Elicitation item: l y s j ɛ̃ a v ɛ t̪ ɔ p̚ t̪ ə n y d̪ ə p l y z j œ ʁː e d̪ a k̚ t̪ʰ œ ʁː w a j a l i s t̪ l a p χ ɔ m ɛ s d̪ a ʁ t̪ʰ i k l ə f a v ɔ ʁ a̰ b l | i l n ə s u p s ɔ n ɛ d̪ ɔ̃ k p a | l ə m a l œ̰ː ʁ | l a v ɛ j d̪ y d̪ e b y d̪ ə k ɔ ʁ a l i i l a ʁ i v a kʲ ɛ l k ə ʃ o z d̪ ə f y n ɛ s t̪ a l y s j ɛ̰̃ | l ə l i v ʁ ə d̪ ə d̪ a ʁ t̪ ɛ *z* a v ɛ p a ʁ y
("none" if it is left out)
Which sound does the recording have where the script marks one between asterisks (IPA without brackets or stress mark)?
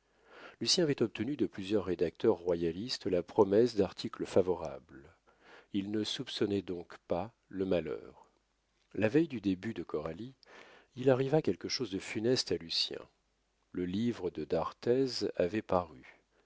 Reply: z